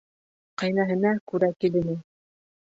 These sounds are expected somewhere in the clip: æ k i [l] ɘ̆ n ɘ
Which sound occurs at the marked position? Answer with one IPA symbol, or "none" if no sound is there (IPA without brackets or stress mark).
l